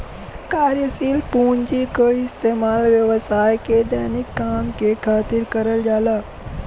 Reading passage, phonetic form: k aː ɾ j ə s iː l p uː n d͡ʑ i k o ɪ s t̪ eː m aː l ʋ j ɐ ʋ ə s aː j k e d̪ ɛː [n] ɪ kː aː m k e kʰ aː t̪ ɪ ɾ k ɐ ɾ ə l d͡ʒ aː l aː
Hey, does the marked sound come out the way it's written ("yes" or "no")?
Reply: yes